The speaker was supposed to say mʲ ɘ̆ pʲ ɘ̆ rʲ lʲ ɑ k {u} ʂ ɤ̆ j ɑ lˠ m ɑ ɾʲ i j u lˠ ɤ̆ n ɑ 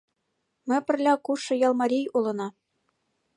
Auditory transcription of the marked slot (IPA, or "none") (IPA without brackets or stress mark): u